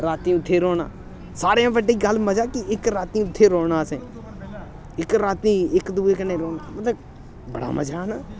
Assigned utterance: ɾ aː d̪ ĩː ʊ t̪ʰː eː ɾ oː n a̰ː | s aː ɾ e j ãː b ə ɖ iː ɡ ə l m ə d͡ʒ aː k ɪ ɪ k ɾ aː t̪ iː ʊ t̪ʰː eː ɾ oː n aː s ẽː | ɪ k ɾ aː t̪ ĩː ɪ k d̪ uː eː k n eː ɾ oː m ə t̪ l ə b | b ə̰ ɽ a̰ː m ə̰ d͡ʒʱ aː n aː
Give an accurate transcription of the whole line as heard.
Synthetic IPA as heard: ɾ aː t̪ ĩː ʊ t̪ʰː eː ɾ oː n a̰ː | s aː ɾ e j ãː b ə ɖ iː ɡ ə l m ə d͡ʒ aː k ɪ ɪ k ɾ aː t̪ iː ʊ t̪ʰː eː ɾ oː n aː s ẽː | ɪ k ɾ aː t̪ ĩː ɪ k d̪ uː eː k n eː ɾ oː m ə t̪ l ə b | b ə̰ ɽ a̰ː m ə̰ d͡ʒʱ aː n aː